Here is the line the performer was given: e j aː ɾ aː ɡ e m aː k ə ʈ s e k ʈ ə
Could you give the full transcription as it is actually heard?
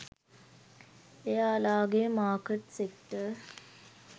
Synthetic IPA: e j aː l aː ɡ e m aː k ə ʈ s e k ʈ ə

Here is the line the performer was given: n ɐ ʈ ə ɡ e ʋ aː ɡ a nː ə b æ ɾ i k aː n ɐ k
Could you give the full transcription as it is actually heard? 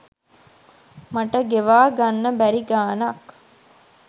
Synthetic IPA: m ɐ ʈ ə ɡ e ʋ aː ɡ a nː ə b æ ɾ i ɡ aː n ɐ k

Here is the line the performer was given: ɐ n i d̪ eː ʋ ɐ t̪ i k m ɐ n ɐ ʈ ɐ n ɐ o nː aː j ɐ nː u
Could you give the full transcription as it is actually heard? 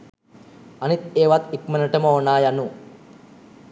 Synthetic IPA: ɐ n i t̪ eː ʋ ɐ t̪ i k m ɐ n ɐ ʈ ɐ m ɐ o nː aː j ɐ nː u

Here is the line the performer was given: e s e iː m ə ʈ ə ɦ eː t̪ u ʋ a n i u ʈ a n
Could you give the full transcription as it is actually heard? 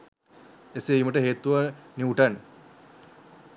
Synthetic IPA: e s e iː m ə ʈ ə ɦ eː t̪ u ʋ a n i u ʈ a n

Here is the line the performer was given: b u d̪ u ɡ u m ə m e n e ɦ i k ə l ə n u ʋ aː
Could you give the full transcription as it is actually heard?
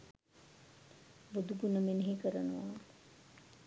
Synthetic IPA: b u d̪ u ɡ u n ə m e n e ɦ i k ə ɾ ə n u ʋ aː

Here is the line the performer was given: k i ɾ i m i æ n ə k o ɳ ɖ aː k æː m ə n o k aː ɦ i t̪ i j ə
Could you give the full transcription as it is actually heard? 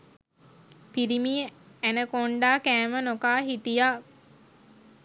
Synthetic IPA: p i ɾ i m i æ n ə k o ɳ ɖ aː k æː m ə n o k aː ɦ i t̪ i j a

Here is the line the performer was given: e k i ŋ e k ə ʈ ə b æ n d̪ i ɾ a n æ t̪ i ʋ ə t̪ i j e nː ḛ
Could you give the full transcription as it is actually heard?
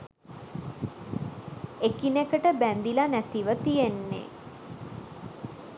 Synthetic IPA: e k i n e k ə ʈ ə b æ n d̪ i l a n æ t̪ i ʋ ə t̪ i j e nː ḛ

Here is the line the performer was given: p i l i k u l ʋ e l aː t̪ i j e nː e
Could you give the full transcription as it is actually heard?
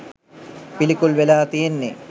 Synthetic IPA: p i l i k u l ʋ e l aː t̪ i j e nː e

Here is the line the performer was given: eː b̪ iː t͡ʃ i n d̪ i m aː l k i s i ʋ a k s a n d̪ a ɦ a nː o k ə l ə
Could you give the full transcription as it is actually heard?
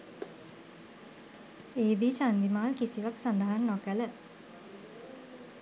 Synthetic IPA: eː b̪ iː t͡ʃ a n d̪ i m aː l k i s i ʋ a k s a n d̪ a ɦ a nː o k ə l ə

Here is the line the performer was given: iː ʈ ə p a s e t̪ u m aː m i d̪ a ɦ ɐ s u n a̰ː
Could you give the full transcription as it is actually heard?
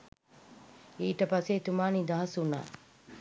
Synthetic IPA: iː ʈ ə p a s e t̪ u m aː n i d̪ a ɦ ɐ s u n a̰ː

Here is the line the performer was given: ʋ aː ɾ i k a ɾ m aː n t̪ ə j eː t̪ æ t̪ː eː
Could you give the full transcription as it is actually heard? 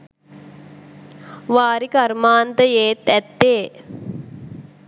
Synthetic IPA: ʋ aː ɾ i k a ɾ m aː n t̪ ə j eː t̪ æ t̪ː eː

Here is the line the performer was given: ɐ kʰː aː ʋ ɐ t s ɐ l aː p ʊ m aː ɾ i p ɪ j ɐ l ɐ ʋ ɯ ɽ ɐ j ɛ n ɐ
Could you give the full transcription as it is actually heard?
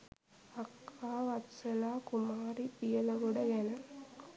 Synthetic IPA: ɐ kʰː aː ʋ ɐ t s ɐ l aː k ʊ m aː ɾ i p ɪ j ɐ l ɐ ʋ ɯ ɽ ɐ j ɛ n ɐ

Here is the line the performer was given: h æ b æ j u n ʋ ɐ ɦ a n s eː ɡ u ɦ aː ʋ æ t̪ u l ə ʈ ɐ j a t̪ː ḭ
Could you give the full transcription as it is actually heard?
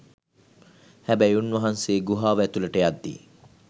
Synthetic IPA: h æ b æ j u n ʋ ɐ ɦ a n s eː ɡ u ɦ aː ʋ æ t̪ u l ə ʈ ə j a d̪ː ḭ

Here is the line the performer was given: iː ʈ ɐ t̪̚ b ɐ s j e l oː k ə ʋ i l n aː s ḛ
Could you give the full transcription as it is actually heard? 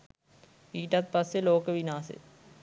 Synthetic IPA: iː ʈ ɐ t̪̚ p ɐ s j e l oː k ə ʋ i n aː s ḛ

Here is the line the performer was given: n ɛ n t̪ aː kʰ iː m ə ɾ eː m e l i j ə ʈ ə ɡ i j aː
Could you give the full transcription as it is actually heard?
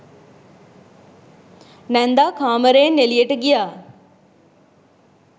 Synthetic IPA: n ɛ n d̪ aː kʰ aː m ə ɾ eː n e l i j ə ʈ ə ɡ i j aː

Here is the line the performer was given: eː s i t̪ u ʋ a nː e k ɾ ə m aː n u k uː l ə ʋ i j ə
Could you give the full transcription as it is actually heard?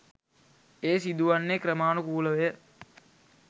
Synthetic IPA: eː s i d̪ u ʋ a nː e k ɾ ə m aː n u k uː l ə ʋ e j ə

